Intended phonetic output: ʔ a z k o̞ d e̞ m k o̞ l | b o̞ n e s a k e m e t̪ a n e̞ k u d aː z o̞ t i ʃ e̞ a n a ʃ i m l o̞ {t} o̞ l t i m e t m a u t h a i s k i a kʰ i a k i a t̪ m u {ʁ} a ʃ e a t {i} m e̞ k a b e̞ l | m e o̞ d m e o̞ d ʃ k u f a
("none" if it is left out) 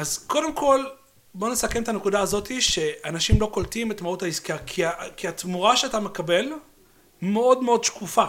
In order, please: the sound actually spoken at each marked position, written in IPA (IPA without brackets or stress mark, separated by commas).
k, ʁ, a